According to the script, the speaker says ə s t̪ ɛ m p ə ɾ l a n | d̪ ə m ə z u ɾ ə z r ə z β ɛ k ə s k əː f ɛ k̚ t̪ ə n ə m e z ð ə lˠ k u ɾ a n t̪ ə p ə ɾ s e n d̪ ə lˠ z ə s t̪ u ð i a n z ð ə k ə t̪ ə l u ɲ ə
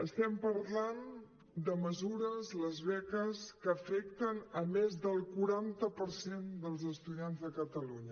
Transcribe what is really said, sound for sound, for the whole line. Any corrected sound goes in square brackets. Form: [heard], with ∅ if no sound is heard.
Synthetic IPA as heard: ə s t̪ ɛ m p ə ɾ l a n | d̪ ə m ə z u ɾ ə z [l] ə z β ɛ k ə s k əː f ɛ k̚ t̪ ə n ə m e z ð ə lˠ k u ɾ a n t̪ ə p ə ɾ s e n d̪ ə lˠ z ə s t̪ u ð i a n z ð ə k ə t̪ ə l u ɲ ə